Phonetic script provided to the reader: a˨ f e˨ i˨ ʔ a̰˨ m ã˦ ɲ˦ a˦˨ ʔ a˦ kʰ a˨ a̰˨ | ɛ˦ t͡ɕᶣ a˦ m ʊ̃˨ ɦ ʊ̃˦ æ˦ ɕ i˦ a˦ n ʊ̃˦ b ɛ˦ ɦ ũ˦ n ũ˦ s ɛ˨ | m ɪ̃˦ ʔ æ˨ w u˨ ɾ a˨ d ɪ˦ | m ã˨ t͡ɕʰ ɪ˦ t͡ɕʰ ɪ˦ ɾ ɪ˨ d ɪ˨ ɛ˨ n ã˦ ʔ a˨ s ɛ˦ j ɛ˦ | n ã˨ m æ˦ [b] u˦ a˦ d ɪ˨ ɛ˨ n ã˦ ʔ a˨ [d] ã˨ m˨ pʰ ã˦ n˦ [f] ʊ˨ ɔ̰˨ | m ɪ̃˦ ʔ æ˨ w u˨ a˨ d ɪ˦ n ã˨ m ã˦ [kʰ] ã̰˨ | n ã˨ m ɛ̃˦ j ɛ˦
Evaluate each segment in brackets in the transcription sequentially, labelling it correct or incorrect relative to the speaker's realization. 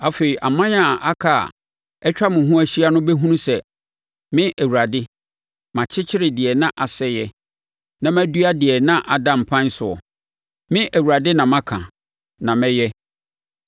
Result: incorrect: d, correct, incorrect: s, correct

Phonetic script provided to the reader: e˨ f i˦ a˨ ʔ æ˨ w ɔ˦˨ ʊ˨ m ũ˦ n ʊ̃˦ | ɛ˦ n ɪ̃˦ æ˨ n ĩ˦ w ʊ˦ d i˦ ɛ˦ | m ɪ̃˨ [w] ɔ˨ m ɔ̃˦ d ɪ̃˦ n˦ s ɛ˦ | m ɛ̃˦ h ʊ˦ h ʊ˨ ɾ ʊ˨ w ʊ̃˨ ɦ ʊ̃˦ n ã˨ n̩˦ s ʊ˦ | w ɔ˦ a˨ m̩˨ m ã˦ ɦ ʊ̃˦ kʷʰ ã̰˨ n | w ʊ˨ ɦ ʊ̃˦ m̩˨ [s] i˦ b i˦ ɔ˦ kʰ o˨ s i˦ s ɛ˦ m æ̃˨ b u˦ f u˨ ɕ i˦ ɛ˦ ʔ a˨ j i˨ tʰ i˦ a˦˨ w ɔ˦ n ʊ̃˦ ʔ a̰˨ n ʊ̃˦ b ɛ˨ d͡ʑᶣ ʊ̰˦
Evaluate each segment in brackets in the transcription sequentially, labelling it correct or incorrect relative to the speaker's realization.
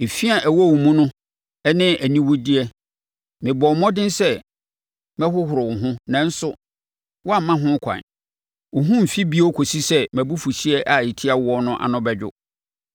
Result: incorrect: b, incorrect: f

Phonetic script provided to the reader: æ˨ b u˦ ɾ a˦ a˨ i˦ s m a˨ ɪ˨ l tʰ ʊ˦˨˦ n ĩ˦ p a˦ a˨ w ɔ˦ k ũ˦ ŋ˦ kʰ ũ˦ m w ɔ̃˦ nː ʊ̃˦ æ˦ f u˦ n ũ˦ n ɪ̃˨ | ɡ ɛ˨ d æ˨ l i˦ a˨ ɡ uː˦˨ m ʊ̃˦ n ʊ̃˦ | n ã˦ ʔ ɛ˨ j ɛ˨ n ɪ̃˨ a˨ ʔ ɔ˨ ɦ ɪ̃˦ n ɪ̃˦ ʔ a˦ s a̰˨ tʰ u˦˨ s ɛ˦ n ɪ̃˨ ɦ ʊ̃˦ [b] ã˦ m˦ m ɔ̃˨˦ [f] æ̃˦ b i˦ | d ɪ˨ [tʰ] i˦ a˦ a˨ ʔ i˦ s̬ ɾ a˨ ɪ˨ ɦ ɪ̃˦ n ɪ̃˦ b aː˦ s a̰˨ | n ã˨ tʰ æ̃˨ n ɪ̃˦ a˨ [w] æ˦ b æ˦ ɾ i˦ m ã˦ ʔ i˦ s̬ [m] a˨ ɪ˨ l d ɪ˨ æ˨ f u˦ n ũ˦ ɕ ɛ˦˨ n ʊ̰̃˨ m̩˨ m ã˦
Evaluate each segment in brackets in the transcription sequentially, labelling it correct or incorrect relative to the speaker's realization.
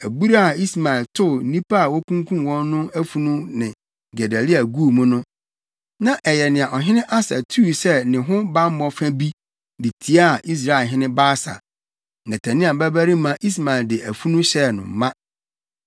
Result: correct, correct, correct, incorrect: b, correct

